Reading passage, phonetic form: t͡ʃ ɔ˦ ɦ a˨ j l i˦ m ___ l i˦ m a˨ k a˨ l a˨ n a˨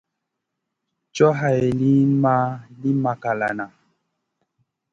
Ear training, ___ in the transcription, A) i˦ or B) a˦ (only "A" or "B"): B